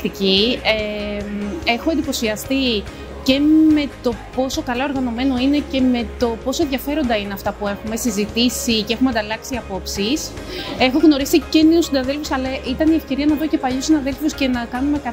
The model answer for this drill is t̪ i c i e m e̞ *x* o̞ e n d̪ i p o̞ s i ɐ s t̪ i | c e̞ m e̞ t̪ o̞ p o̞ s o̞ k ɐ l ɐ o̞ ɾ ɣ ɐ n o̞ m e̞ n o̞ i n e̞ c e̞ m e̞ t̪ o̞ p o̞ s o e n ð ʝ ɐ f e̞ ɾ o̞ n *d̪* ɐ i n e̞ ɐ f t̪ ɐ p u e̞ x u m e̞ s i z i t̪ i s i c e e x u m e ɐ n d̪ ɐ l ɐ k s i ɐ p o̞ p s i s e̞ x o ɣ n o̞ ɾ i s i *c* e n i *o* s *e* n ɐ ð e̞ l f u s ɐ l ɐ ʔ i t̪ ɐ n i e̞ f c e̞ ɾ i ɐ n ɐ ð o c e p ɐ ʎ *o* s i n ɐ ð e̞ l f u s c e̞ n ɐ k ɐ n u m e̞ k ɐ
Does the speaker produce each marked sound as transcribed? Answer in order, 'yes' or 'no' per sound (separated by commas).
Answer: yes, yes, yes, no, no, no